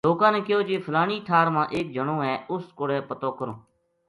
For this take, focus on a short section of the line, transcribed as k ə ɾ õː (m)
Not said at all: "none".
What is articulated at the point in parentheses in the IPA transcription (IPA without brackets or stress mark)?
none